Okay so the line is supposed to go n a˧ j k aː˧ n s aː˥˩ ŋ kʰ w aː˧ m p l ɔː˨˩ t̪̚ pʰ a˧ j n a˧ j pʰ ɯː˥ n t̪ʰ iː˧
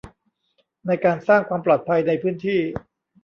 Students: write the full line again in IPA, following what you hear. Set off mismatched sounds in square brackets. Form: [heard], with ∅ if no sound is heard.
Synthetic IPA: n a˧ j k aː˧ n s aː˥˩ ŋ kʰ w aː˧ m p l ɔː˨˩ t̪̚ pʰ a˧ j n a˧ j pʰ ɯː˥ n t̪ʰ [iː˥˩]

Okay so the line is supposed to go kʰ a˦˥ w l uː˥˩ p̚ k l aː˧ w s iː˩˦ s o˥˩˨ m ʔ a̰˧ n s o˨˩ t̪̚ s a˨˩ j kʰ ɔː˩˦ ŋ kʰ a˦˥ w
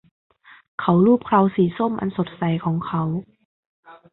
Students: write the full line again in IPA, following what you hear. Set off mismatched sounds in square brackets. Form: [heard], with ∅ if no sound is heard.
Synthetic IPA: kʰ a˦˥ w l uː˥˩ p̚ [kʰ] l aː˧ w s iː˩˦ s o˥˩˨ m ʔ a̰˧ n s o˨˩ t̪̚ s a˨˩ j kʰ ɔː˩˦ ŋ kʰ a˦˥ w

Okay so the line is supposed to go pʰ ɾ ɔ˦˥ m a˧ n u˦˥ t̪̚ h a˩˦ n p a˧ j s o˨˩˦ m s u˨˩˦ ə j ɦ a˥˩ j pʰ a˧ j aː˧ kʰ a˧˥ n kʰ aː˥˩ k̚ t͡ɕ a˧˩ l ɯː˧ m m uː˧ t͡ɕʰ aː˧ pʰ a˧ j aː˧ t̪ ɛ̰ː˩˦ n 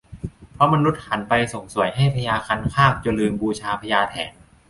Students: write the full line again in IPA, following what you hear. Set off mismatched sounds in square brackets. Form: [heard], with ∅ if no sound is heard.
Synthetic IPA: pʰ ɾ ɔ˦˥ m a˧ n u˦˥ t̪̚ h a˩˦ n p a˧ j s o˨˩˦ [ŋ] s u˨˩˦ ə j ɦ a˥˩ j pʰ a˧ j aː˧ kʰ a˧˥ n kʰ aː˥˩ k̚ t͡ɕ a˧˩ l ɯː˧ m [b] uː˧ t͡ɕʰ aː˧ pʰ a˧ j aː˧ [t̪ʰ] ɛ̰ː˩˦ n

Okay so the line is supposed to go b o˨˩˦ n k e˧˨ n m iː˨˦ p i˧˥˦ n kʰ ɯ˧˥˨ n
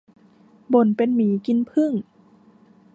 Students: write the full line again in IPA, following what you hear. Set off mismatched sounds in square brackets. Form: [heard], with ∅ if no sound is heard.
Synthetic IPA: b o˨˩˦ n [p] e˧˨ n m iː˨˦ [k] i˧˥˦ n [pʰ] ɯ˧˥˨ [ŋ]

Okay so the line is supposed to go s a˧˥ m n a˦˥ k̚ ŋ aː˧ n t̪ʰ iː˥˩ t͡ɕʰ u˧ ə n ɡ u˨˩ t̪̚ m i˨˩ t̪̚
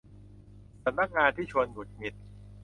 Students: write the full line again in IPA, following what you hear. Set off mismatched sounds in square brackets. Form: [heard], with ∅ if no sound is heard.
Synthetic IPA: s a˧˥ m n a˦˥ k̚ ŋ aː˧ n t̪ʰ iː˥˩ t͡ɕʰ u˧ ə n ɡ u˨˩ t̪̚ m i˨˩ t̪̚

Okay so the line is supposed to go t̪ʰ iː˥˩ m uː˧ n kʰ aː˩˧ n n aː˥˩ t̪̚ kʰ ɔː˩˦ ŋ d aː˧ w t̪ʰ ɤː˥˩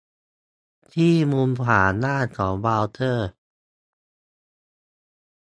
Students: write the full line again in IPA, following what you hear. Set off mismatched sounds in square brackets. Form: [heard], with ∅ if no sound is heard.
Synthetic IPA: t̪ʰ iː˥˩ m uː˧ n [pʰ] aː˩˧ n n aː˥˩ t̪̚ kʰ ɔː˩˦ ŋ [b] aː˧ w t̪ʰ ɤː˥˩

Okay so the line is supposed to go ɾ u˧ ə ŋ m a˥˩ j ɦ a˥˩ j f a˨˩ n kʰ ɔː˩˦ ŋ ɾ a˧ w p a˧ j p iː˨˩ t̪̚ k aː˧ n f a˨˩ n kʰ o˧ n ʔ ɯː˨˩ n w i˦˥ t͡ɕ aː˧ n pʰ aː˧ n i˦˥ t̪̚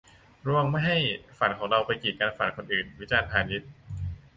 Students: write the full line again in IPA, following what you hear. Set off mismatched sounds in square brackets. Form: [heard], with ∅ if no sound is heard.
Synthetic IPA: ɾ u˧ ə ŋ m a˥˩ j ɦ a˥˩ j f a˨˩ n kʰ ɔː˩˦ ŋ ɾ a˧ w p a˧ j [k] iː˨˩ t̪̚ k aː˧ n f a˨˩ n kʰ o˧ n ʔ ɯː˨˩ n w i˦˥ t͡ɕ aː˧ n pʰ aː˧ n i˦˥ t̪̚

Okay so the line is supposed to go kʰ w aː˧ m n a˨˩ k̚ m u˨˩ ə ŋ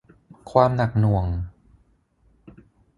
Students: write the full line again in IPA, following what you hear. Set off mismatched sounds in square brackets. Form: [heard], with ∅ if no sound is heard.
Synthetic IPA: kʰ w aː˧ m n a˨˩ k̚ [n] u˨˩ ə ŋ

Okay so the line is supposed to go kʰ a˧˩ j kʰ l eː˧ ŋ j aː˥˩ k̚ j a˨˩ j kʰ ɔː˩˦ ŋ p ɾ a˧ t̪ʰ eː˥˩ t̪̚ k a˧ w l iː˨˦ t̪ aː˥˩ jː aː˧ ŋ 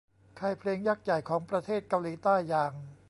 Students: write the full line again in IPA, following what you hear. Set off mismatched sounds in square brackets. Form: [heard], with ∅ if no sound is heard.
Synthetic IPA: kʰ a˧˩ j [pʰ] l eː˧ ŋ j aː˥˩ k̚ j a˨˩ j kʰ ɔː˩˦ ŋ p ɾ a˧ t̪ʰ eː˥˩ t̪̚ k a˧ w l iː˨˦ t̪ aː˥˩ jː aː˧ ŋ

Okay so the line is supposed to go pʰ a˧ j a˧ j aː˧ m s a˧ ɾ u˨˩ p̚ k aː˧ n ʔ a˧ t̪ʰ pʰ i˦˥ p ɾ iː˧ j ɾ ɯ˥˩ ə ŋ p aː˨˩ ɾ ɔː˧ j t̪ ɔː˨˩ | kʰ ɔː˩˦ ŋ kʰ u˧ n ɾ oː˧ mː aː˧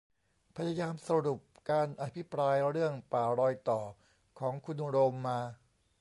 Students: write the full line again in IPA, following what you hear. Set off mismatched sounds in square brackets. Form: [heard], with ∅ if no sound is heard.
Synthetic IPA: pʰ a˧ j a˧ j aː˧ m s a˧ ɾ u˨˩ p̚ k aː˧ n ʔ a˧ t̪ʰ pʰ i˦˥ p ɾ [aː˧] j ɾ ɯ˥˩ ə ŋ p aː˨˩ ɾ ɔː˧ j t̪ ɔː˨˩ | kʰ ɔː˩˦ ŋ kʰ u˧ n ɾ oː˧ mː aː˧

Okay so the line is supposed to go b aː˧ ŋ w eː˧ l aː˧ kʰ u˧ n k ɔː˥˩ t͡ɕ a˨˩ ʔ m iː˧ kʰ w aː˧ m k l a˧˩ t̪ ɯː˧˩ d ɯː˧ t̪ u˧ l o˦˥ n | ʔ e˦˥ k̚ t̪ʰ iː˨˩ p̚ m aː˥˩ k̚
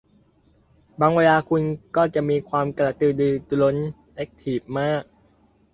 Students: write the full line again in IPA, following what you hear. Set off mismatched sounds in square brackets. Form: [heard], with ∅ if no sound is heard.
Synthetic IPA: b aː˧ ŋ w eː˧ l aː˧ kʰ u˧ n k ɔː˥˩ t͡ɕ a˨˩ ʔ m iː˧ kʰ w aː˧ m k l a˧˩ t̪ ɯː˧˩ d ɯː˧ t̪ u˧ l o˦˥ n | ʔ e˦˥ k̚ t̪ʰ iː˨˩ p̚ m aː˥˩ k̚

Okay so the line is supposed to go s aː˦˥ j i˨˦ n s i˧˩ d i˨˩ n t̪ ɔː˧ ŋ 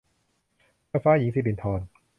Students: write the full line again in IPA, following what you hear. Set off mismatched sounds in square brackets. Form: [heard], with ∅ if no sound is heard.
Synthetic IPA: [f] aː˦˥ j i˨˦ [ŋ] s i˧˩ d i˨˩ n [t̪ʰ] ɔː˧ [n]

